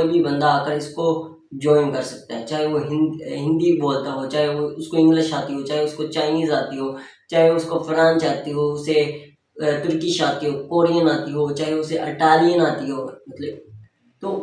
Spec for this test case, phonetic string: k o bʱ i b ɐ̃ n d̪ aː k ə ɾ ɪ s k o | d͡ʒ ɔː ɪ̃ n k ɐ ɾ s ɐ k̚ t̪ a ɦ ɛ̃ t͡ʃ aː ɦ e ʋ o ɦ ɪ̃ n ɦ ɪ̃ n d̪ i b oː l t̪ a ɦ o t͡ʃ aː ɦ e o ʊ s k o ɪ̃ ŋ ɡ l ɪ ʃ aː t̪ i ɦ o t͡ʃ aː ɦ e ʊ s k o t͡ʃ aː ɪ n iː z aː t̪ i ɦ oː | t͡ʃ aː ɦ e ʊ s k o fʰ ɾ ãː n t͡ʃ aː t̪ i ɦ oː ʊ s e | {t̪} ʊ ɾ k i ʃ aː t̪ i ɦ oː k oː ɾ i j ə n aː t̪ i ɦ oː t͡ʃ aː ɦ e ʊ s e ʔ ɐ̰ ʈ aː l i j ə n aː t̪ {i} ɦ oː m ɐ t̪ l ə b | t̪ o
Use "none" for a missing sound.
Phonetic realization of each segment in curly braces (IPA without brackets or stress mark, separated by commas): t̪, i